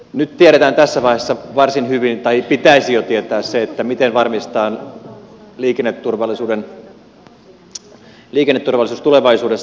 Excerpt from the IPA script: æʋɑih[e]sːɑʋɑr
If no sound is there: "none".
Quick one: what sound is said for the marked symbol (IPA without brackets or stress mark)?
e